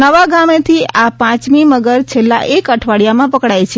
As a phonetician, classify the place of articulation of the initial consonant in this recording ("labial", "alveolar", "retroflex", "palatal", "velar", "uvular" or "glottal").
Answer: labial